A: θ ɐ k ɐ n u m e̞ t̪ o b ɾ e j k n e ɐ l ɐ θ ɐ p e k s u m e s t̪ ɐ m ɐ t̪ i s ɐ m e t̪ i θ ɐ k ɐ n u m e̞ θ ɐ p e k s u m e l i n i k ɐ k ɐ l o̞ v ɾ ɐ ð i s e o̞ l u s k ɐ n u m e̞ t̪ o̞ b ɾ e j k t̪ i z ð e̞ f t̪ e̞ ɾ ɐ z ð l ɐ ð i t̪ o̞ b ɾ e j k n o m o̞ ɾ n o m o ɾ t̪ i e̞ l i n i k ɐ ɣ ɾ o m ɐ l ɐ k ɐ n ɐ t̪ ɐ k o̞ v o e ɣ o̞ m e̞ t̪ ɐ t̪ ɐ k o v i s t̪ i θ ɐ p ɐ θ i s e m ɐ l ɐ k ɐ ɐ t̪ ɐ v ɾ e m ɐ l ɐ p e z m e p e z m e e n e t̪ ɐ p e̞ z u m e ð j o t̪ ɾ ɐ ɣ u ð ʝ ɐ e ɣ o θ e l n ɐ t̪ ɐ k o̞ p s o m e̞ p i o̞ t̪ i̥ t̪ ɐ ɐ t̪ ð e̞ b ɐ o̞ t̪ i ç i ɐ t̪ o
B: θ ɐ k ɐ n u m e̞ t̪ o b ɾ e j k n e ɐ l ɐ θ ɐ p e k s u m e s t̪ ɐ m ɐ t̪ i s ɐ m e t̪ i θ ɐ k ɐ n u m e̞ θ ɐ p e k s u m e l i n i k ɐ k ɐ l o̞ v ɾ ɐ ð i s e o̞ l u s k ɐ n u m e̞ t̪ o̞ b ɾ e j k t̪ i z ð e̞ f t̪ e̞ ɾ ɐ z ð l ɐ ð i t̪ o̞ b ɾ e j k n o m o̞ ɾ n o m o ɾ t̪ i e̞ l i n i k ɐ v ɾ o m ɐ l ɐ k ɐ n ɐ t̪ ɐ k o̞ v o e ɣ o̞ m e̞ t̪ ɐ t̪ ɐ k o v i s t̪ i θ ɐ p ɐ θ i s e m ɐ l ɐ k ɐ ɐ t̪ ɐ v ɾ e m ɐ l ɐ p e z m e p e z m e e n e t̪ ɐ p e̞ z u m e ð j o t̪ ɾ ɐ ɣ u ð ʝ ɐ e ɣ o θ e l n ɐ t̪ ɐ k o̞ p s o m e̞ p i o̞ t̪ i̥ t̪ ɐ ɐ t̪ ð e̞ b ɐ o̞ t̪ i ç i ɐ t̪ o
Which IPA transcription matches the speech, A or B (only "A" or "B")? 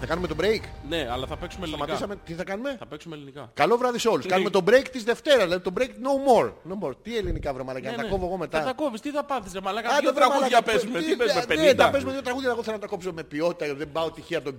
B